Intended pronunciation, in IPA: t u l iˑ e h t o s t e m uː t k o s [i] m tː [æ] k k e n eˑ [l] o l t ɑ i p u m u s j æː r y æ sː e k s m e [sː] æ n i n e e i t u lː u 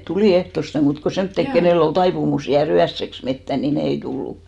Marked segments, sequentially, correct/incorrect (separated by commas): incorrect, incorrect, incorrect, incorrect